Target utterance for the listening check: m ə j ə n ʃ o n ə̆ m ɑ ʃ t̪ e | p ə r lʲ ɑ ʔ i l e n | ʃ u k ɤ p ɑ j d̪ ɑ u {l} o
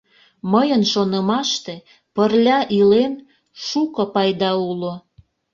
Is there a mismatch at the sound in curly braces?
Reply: no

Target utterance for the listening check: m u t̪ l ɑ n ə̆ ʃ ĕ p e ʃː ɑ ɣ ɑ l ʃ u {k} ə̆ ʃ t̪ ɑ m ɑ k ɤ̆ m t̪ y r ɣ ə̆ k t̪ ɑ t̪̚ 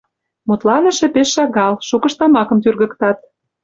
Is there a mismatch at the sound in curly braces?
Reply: no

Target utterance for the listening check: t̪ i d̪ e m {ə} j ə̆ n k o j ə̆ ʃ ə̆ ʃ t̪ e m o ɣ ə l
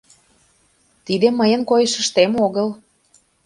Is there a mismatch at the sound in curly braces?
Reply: no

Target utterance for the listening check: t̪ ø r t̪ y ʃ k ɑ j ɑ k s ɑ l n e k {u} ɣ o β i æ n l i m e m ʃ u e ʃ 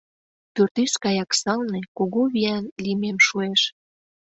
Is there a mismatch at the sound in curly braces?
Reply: yes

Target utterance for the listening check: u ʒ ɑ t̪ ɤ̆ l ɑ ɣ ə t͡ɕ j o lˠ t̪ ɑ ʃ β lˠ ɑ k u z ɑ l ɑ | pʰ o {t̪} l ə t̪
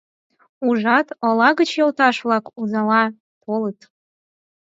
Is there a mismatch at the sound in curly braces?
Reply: yes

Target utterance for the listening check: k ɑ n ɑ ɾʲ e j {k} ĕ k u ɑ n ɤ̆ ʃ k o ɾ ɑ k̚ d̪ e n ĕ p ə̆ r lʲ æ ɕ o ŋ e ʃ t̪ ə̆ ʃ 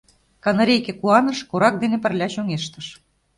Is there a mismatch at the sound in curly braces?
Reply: no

